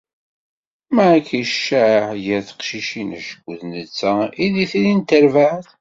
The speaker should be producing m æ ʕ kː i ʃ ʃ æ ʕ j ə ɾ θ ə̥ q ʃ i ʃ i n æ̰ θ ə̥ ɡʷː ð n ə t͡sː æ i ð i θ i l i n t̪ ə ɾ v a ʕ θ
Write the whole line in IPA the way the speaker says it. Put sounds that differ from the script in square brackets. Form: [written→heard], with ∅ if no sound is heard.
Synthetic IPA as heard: m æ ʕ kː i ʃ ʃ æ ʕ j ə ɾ θ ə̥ q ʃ i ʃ i n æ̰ [θ→ʃ] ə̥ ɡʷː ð n ə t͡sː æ i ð i θ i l i n t̪ ə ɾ v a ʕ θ

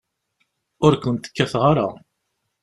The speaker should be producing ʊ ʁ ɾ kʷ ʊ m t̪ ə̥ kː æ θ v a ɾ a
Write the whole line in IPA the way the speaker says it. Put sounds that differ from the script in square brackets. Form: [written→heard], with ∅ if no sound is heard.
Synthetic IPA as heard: ʊ [ʁ→∅] ɾ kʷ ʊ [m→n] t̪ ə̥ kː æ θ [v→ʁ] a ɾ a

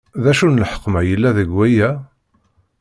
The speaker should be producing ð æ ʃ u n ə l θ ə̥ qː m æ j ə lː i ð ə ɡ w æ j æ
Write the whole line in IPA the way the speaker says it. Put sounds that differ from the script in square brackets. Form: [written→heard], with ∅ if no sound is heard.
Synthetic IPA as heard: ð æ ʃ u n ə l [θ→ħ] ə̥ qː m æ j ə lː [i→æ] ð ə ɡ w æ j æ

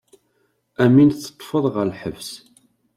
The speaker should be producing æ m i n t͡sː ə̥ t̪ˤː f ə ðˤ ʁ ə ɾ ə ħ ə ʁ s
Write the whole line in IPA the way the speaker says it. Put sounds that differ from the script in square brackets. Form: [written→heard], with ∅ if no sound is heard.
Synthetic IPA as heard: æ m i n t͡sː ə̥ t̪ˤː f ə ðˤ ʁ ə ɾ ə ħ ə [ʁ→v] s

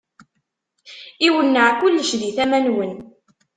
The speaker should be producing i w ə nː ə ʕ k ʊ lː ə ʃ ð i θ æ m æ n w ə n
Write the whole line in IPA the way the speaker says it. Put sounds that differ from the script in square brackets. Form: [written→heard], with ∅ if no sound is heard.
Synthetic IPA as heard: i w ə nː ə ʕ k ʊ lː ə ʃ ð i θ æ m æ n w ə n

